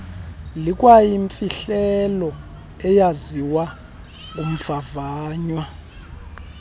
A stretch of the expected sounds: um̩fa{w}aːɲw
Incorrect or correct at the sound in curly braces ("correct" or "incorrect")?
incorrect